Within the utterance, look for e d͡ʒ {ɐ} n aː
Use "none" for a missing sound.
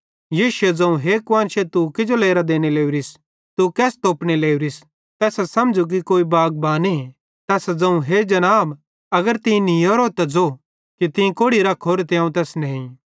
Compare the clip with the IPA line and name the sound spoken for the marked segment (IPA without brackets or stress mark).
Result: ɐ